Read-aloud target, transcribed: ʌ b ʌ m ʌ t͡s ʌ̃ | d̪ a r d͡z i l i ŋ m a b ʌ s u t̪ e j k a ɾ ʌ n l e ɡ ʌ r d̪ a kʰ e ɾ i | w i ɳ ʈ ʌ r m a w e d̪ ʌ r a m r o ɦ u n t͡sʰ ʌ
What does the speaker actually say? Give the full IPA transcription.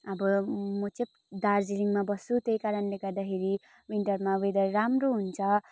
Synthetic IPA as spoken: ʌ b ʌ m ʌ t͡s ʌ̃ | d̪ a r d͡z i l i ŋ m a b ʌ s u t̪ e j k a ɾ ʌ n l e ɡ ʌ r d̪ a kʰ e ɾ i | w i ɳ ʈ ʌ r m a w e d̪ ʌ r a m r o ɦ u n t͡sʰ ʌ